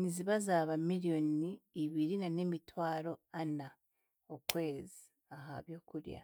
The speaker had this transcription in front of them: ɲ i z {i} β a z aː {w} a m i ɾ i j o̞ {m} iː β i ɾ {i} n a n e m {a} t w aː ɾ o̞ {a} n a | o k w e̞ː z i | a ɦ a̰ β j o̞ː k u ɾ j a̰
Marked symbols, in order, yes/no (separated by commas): yes, no, no, yes, no, yes